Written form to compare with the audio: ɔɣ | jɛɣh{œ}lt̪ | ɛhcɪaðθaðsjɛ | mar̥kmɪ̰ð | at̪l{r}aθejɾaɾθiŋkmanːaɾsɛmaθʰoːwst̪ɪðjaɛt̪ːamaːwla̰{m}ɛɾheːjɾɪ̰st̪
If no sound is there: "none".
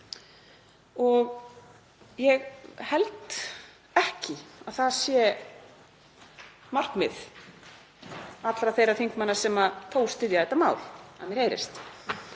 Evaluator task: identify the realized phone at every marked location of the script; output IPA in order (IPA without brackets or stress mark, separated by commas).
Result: ɛ, ɾ, m